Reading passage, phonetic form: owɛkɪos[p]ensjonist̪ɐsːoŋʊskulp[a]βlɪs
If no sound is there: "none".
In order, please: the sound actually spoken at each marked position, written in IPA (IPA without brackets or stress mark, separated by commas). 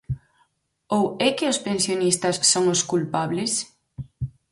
p, a